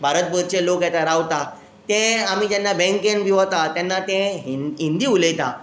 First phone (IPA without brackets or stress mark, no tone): bʱ